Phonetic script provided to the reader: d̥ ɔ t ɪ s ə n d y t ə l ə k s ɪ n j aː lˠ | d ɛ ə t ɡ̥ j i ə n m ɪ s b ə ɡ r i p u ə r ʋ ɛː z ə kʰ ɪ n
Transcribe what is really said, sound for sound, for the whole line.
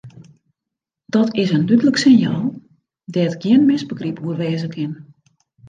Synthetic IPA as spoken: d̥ ɔ t ɪ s ə n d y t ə l ə k s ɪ n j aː lˠ | d ɛ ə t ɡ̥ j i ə n m ɪ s b ə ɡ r i p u ə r ʋ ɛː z ə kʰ ɪ n